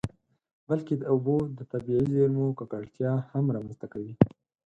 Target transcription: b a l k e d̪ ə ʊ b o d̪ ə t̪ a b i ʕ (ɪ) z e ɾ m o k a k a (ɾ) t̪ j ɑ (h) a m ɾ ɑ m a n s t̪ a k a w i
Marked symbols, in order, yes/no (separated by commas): no, no, yes